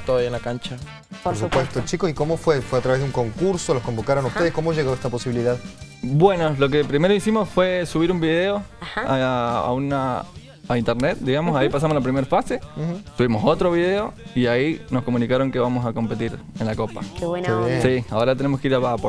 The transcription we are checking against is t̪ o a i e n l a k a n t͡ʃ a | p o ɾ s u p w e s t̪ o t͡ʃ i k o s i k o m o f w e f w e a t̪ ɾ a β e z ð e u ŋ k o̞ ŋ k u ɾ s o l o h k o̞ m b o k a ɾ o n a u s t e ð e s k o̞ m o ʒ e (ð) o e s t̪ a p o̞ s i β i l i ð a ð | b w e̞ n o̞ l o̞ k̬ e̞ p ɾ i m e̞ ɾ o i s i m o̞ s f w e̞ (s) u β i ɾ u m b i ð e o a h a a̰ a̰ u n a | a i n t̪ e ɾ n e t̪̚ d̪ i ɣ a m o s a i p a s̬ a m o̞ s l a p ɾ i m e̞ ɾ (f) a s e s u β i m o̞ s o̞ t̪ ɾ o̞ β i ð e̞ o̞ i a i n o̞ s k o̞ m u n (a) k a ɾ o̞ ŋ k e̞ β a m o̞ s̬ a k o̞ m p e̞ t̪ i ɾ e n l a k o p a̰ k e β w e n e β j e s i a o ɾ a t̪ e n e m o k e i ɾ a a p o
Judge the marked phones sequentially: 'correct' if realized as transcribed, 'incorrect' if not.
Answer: incorrect: ɣ, correct, correct, incorrect: i

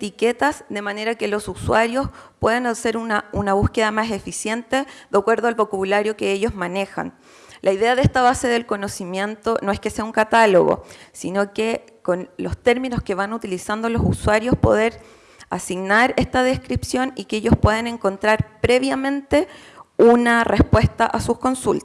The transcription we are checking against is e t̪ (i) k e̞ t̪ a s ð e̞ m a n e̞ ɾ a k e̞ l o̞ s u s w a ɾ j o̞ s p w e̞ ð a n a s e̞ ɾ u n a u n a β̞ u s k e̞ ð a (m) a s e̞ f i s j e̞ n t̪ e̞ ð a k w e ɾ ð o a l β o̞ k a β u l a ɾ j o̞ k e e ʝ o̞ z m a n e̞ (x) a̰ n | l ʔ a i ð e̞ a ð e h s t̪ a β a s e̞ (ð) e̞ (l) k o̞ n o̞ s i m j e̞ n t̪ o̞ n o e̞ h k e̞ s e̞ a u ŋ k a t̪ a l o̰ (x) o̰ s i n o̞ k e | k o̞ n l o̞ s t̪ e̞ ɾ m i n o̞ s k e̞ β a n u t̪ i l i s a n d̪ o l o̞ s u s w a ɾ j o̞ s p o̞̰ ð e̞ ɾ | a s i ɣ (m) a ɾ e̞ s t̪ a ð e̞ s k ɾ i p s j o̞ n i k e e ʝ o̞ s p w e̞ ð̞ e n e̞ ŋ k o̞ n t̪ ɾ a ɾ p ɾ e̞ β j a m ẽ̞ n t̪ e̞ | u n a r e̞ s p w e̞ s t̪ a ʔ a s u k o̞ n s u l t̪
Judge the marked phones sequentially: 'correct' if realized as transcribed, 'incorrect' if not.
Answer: correct, correct, correct, correct, correct, incorrect: ɣ, incorrect: n

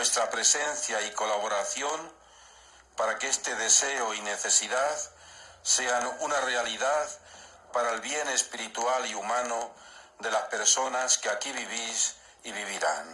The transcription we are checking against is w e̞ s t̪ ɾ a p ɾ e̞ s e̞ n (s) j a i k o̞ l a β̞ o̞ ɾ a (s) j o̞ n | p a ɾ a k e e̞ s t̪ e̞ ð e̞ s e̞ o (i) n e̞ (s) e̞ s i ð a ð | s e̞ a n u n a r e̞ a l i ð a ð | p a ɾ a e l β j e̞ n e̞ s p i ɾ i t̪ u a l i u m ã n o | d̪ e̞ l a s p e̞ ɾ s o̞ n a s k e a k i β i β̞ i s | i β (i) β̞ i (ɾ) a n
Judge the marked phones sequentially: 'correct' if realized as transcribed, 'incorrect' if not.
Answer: incorrect: θ, incorrect: θ, correct, incorrect: θ, correct, correct

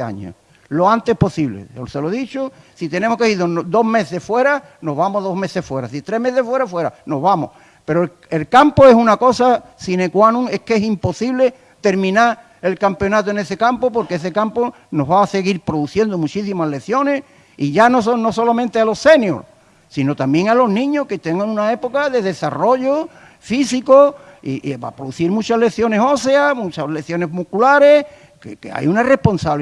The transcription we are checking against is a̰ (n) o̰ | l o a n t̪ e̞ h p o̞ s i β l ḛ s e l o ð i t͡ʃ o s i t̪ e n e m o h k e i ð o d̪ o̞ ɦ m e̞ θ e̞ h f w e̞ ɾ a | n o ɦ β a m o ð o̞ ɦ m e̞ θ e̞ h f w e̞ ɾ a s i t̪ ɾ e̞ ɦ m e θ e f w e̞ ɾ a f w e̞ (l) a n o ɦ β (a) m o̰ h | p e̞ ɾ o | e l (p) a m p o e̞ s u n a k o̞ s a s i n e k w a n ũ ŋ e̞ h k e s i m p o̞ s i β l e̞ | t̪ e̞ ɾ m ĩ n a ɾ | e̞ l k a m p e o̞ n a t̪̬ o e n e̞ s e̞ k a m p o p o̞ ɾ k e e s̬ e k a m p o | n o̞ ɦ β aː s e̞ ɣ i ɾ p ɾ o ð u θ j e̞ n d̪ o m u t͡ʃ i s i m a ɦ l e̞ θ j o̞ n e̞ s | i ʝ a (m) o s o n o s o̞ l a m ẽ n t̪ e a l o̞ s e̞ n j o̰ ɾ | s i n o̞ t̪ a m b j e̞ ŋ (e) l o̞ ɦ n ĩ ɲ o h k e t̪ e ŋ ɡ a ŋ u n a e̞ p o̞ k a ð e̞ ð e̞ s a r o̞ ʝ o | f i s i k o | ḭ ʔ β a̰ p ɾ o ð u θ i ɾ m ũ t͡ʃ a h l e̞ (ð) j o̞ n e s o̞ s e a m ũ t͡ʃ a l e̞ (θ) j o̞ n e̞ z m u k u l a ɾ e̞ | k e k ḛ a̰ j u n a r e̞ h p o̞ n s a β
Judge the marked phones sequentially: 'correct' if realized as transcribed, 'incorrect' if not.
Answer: incorrect: ɲ, incorrect: ɾ, correct, incorrect: k, incorrect: n, incorrect: a, incorrect: θ, correct

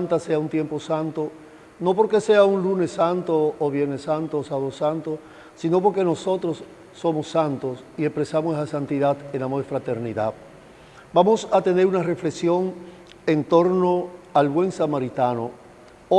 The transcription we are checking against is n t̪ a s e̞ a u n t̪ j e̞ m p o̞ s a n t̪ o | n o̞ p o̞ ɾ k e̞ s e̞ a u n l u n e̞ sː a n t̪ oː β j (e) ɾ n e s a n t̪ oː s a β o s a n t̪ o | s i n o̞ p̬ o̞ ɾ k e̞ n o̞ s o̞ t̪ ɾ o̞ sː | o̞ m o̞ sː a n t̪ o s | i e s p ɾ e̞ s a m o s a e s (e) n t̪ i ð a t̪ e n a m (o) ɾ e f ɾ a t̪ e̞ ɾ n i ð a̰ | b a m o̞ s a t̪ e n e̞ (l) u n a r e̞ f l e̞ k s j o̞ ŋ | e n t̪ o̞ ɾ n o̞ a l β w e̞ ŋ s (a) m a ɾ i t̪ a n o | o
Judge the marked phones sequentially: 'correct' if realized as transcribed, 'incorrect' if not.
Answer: correct, incorrect: a, correct, incorrect: ɾ, correct

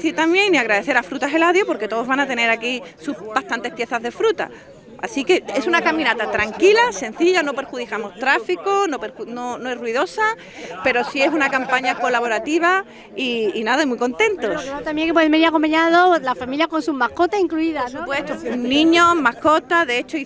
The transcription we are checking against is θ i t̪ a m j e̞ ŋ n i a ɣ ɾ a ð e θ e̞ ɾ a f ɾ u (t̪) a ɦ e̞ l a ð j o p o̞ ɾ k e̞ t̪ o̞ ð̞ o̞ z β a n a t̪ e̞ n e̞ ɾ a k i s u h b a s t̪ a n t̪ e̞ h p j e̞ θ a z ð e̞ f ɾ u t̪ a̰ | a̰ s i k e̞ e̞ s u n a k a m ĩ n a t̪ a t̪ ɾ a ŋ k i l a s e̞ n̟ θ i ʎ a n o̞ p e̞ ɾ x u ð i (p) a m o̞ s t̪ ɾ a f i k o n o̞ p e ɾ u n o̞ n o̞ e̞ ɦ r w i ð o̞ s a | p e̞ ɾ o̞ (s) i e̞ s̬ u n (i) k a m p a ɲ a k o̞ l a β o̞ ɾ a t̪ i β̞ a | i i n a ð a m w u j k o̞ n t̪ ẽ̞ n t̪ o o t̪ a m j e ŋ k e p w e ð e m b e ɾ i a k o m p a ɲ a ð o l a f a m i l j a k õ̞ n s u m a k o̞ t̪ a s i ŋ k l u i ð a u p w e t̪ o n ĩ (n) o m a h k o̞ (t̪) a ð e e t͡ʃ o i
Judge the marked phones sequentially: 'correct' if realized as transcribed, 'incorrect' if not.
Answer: correct, incorrect: k, correct, incorrect: a, incorrect: ɲ, correct

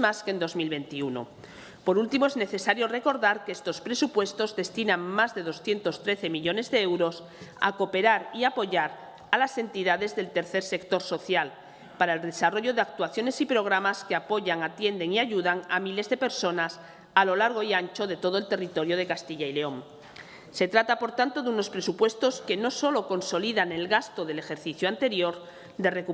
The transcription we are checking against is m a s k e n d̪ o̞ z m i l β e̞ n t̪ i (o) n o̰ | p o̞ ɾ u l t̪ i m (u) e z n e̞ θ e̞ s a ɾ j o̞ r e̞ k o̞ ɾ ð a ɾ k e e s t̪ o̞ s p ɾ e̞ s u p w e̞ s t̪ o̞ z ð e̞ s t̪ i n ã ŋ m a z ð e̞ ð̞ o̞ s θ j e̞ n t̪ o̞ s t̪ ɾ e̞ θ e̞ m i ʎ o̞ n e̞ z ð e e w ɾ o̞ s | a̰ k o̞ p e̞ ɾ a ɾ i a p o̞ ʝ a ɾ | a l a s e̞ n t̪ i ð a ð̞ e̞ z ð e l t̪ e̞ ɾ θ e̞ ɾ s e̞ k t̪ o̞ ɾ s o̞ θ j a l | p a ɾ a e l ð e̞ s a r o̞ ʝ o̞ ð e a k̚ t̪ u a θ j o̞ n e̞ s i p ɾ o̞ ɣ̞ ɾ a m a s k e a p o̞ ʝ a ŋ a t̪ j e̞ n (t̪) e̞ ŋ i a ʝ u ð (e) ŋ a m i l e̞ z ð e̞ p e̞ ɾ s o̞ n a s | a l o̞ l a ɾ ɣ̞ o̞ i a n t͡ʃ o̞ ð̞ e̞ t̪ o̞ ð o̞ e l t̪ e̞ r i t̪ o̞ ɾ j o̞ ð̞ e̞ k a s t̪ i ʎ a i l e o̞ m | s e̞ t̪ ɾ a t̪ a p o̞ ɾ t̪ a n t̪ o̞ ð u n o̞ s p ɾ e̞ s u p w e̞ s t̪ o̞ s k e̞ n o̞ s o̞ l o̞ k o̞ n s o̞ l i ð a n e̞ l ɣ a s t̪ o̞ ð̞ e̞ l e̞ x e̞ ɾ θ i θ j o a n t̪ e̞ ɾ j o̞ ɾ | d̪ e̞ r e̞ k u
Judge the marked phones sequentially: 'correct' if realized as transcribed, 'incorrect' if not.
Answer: incorrect: u, incorrect: o, incorrect: d̪, incorrect: a

